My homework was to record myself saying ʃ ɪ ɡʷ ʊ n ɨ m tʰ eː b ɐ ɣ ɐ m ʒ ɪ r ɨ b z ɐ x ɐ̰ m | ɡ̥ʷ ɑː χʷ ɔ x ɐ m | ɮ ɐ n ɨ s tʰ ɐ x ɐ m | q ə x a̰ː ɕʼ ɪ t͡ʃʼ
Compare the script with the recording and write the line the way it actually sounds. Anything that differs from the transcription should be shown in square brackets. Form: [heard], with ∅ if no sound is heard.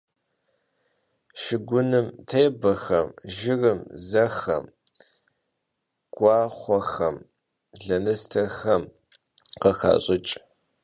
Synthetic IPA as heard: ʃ ɪ ɡʷ ʊ n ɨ m tʰ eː b ɐ [x] ɐ m ʒ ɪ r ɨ [m] z ɐ x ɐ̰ m | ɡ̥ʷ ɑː χʷ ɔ x ɐ m | ɮ ɐ n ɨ s tʰ ɐ x ɐ m | q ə x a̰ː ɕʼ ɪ t͡ʃʼ